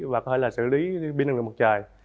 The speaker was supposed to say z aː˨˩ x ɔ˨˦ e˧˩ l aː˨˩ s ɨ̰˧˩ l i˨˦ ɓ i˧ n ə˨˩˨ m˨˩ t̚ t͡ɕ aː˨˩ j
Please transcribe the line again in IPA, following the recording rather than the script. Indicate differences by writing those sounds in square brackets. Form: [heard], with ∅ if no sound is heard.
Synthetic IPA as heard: [v] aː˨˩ [k] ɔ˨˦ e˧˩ l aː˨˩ s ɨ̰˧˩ l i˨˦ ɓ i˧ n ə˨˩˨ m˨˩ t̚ t͡ɕ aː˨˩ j

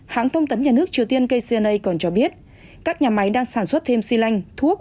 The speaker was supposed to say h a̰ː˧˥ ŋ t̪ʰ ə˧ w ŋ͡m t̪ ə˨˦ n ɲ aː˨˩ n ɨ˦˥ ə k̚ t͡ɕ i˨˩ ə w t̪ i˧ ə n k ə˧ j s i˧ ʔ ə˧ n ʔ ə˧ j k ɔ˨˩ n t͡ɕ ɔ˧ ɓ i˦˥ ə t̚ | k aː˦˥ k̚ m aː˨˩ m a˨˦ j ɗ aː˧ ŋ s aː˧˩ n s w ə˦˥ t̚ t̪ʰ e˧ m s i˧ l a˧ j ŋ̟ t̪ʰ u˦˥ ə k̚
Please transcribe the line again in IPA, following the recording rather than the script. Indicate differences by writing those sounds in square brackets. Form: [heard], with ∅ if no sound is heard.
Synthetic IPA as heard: h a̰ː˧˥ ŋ t̪ʰ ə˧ w ŋ͡m t̪ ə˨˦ n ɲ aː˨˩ n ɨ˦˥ ə k̚ t͡ɕ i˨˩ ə w t̪ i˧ ə n k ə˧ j s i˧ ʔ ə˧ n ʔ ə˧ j k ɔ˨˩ n t͡ɕ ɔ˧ ɓ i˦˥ ə t̚ | k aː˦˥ k̚ [ɲ] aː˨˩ m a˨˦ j ɗ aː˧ ŋ s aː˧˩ n s w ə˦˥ t̚ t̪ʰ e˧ m s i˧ l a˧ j ŋ̟ t̪ʰ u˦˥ ə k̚

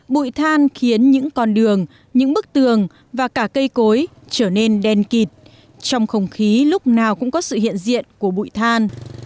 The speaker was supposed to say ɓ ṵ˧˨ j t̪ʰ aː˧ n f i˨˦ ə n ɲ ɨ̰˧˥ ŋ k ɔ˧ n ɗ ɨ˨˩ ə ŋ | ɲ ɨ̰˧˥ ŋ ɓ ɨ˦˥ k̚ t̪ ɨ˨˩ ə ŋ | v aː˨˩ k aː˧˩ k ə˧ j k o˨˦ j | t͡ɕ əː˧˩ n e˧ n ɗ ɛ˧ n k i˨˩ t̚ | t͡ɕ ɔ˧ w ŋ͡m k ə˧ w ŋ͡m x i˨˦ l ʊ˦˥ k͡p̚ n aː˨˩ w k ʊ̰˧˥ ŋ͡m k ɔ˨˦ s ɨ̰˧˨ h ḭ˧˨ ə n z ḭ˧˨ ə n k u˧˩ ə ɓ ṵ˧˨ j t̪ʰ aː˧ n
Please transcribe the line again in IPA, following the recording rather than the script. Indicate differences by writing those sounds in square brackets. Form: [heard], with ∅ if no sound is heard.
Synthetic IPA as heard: ɓ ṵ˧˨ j t̪ʰ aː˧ n [x] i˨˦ ə n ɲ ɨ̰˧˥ ŋ k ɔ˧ n ɗ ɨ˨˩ ə ŋ | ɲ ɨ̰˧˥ ŋ ɓ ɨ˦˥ k̚ t̪ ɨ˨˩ ə ŋ | v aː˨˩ k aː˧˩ k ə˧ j k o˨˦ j | t͡ɕ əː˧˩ n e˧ n ɗ ɛ˧ n k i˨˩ t̚ | t͡ɕ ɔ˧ w ŋ͡m [x] ə˧ w ŋ͡m x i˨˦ l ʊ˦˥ k͡p̚ n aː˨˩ w k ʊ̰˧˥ ŋ͡m k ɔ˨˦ s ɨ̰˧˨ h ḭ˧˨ ə n z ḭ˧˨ ə n k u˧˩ ə ɓ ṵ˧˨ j t̪ʰ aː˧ n

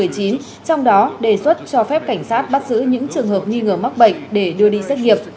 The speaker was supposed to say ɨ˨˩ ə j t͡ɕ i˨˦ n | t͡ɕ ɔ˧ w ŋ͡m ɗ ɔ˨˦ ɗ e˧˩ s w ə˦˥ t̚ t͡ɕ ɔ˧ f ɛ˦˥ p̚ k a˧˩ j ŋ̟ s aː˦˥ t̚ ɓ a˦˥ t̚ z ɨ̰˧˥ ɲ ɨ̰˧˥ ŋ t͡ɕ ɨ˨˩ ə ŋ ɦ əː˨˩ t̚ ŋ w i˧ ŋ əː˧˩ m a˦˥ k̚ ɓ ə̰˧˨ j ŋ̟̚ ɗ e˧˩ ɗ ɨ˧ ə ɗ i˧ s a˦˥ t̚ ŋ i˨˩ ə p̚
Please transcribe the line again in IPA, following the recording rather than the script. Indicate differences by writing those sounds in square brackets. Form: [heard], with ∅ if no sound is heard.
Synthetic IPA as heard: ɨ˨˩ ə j t͡ɕ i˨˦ n | t͡ɕ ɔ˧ w ŋ͡m ɗ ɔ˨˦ ɗ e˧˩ s w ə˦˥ t̚ t͡ɕ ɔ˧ f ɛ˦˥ p̚ k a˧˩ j ŋ̟ s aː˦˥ t̚ ɓ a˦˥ t̚ z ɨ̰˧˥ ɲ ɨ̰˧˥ ŋ t͡ɕ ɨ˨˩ ə ŋ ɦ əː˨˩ [p̚] ŋ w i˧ ŋ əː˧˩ m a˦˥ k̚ ɓ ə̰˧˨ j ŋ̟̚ ɗ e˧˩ ɗ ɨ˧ ə ɗ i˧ s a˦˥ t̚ ŋ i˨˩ ə p̚

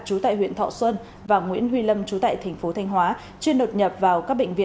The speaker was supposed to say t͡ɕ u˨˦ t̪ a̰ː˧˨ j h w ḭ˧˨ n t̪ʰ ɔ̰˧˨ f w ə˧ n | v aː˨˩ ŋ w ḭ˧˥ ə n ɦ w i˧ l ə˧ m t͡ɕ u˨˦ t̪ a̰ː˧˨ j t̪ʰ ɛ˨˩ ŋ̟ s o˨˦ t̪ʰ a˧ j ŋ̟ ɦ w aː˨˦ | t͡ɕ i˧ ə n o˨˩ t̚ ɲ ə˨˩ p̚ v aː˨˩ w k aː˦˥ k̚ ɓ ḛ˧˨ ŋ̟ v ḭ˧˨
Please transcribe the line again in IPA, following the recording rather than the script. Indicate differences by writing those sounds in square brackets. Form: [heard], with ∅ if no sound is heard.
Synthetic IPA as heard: t͡ɕ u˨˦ t̪ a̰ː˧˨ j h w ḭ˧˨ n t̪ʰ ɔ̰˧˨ [s] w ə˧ n | v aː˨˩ ŋ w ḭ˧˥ ə n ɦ w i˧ l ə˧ m t͡ɕ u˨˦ t̪ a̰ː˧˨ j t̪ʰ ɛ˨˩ ŋ̟ [f] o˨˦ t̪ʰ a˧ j ŋ̟ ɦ w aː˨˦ | t͡ɕ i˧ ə n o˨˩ t̚ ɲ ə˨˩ p̚ v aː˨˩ w k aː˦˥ k̚ ɓ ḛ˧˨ ŋ̟ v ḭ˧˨

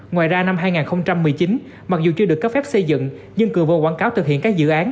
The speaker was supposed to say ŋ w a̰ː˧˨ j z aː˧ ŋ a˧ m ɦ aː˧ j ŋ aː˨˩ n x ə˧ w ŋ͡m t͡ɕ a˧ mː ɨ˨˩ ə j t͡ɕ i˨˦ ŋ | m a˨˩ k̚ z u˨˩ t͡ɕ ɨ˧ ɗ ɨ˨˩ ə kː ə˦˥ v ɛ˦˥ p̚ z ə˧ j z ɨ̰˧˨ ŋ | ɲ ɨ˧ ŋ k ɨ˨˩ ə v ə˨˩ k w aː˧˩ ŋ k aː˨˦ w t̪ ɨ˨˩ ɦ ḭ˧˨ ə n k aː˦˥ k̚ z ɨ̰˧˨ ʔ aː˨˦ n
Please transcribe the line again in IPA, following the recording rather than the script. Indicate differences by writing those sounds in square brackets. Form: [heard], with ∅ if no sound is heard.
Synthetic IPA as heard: ŋ w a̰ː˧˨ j z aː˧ [n] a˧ m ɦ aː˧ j ŋ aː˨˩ n x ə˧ w ŋ͡m t͡ɕ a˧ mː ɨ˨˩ ə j t͡ɕ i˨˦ [n] | m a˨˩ k̚ z u˨˩ t͡ɕ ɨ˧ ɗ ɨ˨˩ ə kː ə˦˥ [f] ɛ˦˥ p̚ [s] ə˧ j z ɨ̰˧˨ ŋ | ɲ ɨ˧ ŋ k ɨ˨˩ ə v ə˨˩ k w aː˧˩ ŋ k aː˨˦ w t̪ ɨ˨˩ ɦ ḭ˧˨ ə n k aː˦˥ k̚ z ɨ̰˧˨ ʔ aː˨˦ n

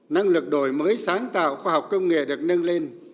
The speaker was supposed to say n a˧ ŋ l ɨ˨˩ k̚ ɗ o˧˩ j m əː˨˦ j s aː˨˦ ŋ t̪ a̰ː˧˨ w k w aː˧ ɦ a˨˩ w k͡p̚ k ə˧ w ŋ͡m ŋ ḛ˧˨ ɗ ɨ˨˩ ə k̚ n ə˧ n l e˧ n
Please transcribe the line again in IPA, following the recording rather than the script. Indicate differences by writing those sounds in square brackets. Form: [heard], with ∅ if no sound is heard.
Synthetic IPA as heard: n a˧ ŋ l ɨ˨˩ k̚ ɗ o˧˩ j m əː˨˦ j s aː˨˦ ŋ t̪ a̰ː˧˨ w [x] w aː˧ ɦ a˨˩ w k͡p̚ k ə˧ w ŋ͡m ŋ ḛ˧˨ ɗ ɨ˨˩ ə k̚ n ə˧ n l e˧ n

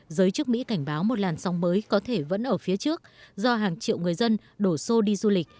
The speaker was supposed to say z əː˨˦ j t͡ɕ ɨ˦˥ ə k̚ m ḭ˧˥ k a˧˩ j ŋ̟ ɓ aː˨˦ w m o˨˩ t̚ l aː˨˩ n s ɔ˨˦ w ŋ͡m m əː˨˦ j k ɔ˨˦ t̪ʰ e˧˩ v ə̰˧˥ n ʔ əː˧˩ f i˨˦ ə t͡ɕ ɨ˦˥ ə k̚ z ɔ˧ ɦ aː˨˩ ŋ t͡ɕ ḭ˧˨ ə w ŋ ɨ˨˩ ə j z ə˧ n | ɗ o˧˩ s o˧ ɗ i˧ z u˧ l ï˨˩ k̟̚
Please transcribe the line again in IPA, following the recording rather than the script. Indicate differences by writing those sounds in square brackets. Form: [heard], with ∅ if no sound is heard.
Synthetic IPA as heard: z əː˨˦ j t͡ɕ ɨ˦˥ ə k̚ m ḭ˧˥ k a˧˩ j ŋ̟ ɓ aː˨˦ w m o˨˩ t̚ l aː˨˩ n s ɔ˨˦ w ŋ͡m m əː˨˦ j k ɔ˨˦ t̪ʰ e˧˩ v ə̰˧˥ n ʔ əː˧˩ f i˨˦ ə t͡ɕ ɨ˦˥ ə k̚ z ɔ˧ ɦ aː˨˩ ŋ t͡ɕ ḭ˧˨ ə w ŋ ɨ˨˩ ə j z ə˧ n | ɗ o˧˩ s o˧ ɗ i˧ z u˧ l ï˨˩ k̟̚

